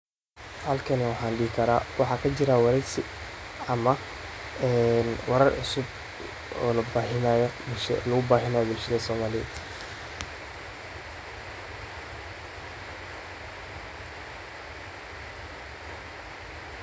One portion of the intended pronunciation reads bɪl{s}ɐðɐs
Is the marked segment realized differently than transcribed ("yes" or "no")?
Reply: yes